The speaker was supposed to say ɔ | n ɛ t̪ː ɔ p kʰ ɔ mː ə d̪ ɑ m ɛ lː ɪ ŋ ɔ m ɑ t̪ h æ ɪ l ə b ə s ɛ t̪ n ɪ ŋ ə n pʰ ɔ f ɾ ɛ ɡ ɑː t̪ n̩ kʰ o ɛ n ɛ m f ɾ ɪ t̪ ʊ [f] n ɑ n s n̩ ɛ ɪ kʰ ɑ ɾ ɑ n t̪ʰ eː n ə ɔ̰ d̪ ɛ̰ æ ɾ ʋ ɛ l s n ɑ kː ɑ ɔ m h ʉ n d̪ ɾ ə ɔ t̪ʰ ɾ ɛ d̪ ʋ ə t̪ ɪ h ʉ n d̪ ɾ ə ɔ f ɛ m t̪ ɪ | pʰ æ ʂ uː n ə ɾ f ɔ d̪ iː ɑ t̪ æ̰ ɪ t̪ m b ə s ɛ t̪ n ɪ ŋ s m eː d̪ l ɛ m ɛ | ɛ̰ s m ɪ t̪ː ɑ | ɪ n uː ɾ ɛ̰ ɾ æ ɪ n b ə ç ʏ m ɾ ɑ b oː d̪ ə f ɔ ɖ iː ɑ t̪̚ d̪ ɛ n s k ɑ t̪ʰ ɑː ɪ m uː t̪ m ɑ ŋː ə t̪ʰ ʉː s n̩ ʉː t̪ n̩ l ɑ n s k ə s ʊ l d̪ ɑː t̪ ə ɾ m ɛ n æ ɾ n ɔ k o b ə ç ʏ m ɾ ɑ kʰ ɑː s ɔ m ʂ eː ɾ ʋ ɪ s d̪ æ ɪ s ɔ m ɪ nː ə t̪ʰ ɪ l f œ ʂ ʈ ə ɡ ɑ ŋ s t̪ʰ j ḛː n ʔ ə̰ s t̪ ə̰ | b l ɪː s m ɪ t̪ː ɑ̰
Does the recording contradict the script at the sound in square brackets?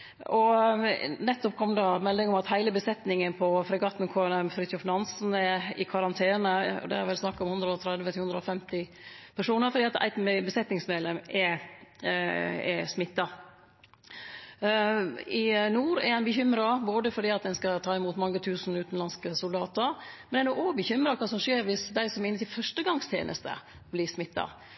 no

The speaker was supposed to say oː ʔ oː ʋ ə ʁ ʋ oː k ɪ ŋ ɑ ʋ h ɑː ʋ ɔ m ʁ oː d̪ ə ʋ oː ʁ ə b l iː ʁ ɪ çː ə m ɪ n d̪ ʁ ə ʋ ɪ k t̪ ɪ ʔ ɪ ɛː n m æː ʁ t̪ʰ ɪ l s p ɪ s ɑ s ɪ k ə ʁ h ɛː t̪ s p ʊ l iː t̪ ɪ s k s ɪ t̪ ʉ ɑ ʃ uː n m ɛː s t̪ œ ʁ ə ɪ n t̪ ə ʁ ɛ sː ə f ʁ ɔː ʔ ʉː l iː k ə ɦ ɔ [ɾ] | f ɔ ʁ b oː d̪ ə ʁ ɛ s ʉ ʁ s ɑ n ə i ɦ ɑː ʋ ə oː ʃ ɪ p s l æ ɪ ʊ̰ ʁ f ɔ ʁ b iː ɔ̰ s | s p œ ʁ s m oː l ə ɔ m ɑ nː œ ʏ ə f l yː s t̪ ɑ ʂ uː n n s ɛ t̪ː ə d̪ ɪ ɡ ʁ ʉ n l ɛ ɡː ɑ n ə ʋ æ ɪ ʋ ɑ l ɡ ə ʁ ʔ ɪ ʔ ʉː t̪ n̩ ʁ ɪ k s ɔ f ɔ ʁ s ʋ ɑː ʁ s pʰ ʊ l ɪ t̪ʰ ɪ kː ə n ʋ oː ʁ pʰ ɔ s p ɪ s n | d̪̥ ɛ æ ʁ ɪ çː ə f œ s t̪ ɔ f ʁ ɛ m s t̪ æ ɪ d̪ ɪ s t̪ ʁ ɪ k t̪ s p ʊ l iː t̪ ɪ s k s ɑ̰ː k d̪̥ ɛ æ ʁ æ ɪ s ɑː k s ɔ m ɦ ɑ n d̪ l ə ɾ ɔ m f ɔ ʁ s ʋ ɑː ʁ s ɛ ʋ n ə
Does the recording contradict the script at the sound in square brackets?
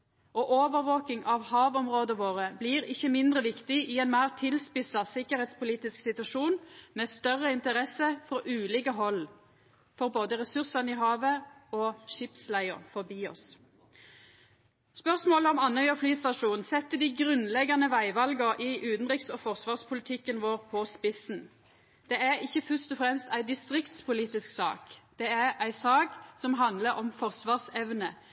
yes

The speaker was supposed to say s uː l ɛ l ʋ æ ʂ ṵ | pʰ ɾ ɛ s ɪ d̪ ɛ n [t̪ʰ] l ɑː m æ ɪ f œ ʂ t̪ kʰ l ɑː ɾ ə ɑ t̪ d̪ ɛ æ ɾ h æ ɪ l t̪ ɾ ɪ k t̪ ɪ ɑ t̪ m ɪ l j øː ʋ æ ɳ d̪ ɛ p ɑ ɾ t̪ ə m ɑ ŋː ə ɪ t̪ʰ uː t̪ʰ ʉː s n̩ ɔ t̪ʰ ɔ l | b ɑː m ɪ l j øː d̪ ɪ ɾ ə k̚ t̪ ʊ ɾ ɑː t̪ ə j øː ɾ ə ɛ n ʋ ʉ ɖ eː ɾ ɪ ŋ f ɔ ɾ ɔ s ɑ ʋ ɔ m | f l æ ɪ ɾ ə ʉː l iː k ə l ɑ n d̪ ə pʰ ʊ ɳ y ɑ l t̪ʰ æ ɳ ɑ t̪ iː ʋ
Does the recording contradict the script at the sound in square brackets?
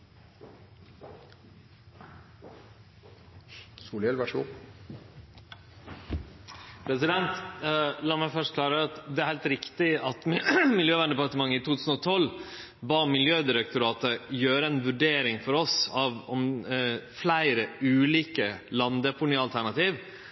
yes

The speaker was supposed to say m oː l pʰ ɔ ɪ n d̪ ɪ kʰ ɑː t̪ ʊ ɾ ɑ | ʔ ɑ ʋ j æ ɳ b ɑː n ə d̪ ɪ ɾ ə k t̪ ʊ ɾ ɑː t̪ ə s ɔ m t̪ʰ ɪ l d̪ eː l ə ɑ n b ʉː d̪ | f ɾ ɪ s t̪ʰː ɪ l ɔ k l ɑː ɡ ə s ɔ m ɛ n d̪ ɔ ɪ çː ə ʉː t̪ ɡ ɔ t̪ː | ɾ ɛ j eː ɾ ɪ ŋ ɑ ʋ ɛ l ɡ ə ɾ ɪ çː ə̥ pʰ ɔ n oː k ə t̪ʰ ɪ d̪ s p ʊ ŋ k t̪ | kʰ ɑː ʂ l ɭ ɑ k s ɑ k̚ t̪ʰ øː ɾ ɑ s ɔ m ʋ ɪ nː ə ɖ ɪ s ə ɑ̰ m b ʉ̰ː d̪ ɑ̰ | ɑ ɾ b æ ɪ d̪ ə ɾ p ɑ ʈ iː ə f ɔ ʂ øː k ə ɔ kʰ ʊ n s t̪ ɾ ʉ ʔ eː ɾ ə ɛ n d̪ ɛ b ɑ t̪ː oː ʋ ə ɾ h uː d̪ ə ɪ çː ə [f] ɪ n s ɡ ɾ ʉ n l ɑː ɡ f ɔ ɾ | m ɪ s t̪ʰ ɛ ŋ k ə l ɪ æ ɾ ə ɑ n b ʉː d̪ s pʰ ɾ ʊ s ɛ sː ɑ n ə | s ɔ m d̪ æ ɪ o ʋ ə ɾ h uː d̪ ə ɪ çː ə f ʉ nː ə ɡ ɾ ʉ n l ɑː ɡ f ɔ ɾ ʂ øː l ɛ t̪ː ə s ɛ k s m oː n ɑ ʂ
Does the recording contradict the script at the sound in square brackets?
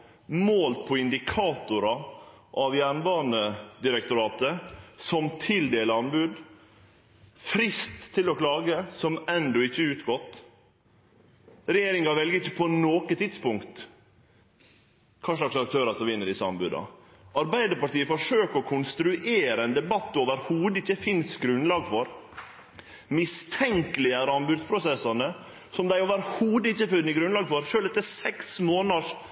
no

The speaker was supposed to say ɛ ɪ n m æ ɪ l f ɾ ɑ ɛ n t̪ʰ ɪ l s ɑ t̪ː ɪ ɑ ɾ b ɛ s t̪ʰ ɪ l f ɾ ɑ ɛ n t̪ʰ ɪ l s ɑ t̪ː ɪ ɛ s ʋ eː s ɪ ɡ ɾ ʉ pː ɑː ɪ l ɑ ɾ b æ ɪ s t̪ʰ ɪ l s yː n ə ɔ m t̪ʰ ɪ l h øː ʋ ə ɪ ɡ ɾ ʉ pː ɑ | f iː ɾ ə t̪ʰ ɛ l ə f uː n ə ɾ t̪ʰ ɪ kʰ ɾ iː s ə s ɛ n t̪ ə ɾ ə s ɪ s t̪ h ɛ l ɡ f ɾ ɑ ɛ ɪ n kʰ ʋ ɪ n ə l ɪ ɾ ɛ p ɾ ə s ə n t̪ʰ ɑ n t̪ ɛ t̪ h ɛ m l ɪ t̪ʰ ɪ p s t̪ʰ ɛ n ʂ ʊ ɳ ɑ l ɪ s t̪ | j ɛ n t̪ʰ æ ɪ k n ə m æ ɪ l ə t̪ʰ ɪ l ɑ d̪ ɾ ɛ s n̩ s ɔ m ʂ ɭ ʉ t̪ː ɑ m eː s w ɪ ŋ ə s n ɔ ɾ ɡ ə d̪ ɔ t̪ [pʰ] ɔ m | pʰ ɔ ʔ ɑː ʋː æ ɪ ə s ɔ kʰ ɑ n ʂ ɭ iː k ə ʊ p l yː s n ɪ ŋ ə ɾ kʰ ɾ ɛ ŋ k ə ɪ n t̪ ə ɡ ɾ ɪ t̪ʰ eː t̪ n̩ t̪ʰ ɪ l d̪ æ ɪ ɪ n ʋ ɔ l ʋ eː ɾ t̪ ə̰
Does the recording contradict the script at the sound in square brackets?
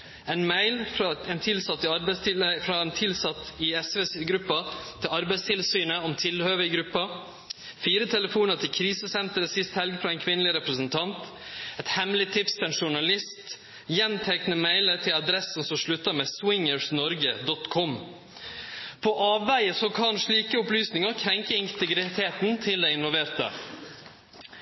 yes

